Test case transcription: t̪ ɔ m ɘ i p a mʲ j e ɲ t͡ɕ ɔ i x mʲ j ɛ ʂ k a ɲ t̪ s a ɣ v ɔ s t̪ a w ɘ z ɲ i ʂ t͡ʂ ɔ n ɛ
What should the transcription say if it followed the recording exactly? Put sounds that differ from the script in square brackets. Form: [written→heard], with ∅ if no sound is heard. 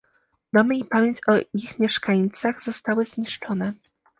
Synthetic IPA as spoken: [t̪→d̪] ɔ m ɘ i p a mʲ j e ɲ t͡ɕ ɔ i x mʲ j ɛ ʂ k a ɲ t̪ s a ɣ [v→z] ɔ s t̪ a w ɘ z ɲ i ʂ t͡ʂ ɔ n ɛ